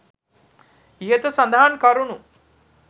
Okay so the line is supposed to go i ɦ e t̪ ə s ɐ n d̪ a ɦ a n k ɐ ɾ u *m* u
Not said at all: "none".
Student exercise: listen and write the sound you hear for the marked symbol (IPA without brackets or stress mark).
n